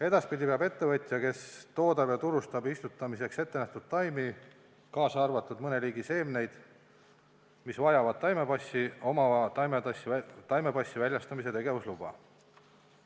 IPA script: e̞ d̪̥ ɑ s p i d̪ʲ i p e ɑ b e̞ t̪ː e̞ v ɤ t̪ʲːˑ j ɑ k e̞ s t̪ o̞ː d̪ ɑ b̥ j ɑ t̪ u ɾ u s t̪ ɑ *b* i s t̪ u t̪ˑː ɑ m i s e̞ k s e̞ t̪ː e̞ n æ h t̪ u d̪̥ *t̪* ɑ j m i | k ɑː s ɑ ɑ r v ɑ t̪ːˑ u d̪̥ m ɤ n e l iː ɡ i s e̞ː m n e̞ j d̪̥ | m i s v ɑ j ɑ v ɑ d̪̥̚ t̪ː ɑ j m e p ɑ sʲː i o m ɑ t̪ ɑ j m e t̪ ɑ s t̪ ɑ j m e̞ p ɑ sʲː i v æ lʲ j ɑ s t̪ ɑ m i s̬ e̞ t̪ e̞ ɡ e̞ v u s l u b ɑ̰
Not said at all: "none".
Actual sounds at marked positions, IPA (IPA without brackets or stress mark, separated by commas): b, t̪